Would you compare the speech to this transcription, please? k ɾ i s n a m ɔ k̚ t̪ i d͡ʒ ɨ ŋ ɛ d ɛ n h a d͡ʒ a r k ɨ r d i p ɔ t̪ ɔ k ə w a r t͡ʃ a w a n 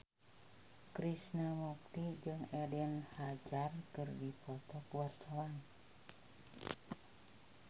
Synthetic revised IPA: k ɾ i s n a m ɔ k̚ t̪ i d͡ʒ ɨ ŋ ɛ d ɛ n h a d͡ʒ a r k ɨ r d i p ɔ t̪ ɔ k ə w a r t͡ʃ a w a n